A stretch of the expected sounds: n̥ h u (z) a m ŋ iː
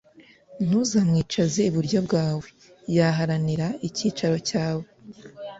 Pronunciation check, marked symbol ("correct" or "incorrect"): correct